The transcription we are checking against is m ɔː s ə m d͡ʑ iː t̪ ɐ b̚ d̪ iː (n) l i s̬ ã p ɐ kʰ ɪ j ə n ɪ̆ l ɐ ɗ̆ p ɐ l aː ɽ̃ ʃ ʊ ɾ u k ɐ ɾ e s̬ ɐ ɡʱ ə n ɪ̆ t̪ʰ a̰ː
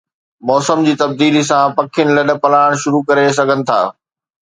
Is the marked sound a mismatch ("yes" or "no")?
yes